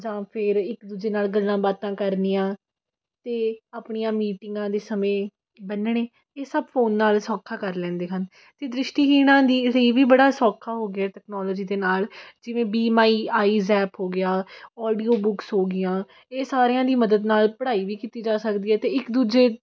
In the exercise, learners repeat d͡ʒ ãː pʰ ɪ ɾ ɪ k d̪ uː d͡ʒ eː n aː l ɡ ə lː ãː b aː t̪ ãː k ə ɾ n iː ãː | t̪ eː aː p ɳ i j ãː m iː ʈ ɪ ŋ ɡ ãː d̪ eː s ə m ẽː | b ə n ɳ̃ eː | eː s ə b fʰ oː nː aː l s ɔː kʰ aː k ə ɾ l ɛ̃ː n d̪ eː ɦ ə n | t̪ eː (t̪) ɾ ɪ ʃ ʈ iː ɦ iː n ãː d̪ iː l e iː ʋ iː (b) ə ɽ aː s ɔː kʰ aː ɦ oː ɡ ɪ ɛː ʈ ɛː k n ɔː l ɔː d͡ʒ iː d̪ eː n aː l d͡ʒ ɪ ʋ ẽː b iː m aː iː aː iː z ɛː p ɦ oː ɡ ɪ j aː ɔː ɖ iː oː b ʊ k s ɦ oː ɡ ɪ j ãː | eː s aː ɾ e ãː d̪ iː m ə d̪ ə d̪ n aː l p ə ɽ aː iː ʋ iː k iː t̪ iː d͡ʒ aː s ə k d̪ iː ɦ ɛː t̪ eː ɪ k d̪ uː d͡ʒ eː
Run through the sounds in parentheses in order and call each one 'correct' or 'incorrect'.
incorrect: d̪, correct

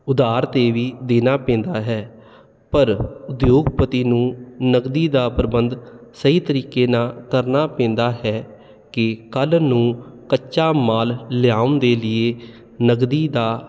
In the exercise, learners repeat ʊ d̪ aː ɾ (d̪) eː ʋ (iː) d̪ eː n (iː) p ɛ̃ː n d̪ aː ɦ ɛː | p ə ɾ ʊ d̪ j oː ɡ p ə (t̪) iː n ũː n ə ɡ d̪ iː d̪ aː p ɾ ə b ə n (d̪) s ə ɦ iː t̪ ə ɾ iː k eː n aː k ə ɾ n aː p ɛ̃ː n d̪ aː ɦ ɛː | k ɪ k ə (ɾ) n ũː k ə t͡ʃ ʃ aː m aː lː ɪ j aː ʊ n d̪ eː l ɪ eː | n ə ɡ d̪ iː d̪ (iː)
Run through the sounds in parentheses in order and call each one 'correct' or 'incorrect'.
incorrect: t̪, correct, incorrect: aː, correct, correct, incorrect: l, incorrect: aː

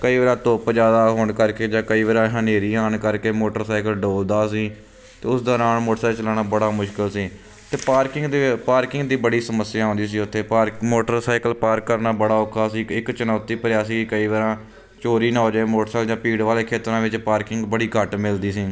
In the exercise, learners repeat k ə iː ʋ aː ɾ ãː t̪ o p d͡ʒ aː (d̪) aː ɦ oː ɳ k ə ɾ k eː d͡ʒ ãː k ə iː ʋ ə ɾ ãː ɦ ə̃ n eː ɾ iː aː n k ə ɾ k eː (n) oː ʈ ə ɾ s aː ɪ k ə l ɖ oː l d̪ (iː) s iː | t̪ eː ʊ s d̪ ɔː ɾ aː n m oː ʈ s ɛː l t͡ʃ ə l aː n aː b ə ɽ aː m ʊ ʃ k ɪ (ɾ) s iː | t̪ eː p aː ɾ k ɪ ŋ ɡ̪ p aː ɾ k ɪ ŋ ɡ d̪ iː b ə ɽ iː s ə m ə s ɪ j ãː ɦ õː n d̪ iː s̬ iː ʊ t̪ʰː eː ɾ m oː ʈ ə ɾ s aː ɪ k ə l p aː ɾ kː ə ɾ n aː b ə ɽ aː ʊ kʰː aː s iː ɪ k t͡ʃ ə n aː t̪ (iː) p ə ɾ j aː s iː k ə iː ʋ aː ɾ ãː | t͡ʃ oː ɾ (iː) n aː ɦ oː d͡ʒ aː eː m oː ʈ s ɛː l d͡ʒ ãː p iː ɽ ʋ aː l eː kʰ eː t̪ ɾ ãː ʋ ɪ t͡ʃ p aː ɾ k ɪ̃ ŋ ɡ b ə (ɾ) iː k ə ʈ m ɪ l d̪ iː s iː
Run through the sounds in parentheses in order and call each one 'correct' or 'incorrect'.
correct, incorrect: m, incorrect: aː, incorrect: l, correct, correct, incorrect: ɽ

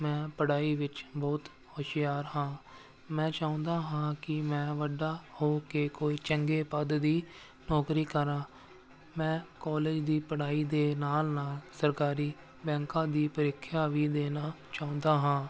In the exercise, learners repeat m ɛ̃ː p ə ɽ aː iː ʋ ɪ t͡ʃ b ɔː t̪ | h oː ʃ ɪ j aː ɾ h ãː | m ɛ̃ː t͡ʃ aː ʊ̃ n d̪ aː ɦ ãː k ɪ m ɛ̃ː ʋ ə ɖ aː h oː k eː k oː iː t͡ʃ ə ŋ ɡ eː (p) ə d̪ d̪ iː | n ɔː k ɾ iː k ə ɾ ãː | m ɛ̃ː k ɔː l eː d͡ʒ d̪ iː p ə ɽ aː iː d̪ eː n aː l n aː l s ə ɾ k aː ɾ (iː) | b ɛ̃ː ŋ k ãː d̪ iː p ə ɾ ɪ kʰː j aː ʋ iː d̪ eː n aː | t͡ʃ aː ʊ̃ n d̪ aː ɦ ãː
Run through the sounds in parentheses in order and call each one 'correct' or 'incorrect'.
correct, correct

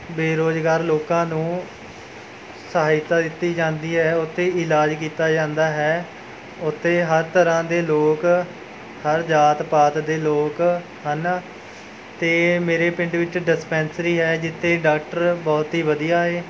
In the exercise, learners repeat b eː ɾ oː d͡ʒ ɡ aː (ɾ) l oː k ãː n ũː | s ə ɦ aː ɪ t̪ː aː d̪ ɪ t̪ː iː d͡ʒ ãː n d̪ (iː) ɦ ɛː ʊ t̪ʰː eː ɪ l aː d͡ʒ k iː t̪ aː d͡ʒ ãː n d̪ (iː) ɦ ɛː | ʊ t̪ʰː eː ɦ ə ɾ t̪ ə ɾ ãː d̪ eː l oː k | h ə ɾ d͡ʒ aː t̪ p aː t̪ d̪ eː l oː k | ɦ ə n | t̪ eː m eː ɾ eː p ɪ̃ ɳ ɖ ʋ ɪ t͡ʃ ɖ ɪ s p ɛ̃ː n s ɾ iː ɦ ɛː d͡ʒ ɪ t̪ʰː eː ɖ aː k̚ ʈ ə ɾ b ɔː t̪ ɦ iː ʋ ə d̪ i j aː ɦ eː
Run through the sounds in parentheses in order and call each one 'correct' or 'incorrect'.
correct, correct, incorrect: aː

